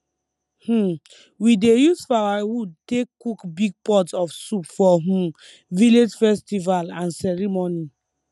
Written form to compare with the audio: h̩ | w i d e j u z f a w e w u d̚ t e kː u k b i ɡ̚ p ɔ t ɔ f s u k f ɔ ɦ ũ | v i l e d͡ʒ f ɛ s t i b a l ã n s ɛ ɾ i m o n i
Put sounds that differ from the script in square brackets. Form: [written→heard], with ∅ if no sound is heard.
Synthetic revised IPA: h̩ | w i d e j u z f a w [e→a] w u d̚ t e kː u k b i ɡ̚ p ɔ t ɔ f s u [k→p] f ɔ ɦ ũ | v i l e d͡ʒ f ɛ s t i [b→v] a l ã n s ɛ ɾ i m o n i